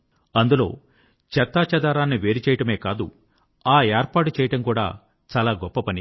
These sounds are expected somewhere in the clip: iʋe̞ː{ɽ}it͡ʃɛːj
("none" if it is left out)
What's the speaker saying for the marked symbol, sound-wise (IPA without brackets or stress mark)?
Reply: ɾ